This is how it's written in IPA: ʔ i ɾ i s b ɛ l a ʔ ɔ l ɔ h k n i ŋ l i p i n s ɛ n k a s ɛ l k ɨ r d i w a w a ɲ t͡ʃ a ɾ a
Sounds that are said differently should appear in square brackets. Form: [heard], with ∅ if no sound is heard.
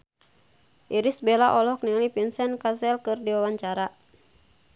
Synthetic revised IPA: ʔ i ɾ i s b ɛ l a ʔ ɔ l ɔ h k n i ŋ l i p i n s ɛ n k a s ɛ l k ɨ r d i w a w a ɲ t͡ʃ a ɾ a

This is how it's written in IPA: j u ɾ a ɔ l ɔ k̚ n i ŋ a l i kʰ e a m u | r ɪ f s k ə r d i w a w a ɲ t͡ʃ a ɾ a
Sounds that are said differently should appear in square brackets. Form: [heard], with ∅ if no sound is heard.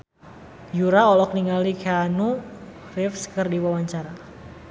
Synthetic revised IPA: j u ɾ a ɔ l ɔ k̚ n i ŋ a l i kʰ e a [n] u | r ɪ f s k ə r d i w a w a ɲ t͡ʃ a ɾ a

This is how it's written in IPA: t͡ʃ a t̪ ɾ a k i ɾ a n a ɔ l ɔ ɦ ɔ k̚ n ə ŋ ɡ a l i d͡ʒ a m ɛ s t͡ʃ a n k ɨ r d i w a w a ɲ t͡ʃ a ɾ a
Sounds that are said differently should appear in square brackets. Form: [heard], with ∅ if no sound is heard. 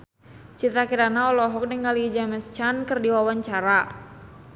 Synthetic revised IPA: t͡ʃ [i] t̪ ɾ a k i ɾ a n a ɔ l ɔ ɦ ɔ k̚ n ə ŋ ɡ a l i d͡ʒ a m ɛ s t͡ʃ a n k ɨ r d i w a w a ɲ t͡ʃ a ɾ a

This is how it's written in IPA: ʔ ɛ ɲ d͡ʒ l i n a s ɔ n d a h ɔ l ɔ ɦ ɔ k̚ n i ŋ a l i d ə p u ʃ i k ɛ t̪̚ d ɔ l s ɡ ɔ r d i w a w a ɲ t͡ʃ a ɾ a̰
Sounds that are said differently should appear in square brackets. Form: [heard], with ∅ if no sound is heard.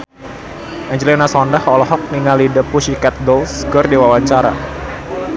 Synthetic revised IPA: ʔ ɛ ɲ d͡ʒ l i n a s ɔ n d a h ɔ l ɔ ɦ ɔ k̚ n i ŋ a l i d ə p u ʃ i k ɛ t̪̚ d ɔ l s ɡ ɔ r d i w a w a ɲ t͡ʃ a ɾ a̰

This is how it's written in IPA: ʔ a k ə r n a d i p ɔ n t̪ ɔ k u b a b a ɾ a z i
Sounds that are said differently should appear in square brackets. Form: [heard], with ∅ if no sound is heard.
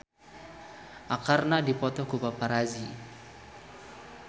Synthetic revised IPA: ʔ a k [a] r n a d i p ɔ [∅] t̪ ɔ k u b a [p] a ɾ a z i

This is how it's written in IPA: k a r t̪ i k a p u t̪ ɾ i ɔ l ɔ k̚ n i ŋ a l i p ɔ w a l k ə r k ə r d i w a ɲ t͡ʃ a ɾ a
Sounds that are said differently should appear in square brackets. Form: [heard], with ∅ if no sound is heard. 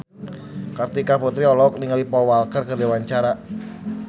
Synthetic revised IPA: k a r t̪ i k a p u t̪ ɾ i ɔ l ɔ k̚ n i ŋ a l i p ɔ w a l k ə r k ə r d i w a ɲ t͡ʃ a ɾ a

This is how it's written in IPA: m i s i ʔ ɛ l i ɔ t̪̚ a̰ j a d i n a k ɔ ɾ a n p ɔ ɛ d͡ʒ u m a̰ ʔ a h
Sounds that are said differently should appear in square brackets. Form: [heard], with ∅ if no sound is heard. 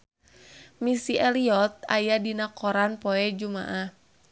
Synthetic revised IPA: m i s i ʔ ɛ l i ɔ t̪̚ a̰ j a d i n a k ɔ ɾ a n p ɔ ɛ d͡ʒ u m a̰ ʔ a h

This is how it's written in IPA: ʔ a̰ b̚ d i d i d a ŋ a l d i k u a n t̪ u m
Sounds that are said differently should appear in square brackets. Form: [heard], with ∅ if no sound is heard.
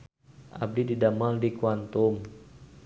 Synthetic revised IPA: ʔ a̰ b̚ d i d i d a [m] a l d i k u a n t̪ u m

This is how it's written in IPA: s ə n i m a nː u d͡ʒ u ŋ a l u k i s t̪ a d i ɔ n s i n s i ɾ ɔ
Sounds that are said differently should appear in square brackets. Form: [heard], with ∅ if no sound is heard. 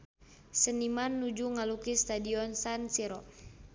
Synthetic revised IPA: s ə n i m a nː u d͡ʒ u ŋ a l u k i s t̪ a d i ɔ n s [a] n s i ɾ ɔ

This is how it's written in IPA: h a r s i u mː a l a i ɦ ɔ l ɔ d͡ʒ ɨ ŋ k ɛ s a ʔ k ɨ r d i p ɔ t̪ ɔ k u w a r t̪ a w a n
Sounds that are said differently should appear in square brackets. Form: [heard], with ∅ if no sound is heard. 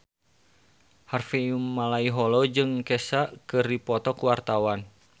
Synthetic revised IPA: h a r [f] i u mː a l a i ɦ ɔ l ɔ d͡ʒ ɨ ŋ k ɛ s a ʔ k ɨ r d i p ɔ t̪ ɔ k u w a r t̪ a w a n

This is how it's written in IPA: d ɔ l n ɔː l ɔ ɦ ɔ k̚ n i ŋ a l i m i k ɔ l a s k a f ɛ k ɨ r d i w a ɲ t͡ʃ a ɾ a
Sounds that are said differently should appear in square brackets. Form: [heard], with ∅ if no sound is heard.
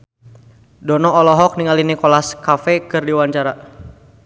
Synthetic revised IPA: d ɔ [∅] n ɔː l ɔ ɦ ɔ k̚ n i ŋ a l i [n] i k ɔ l a s k a f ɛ k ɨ r d i w a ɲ t͡ʃ a ɾ a

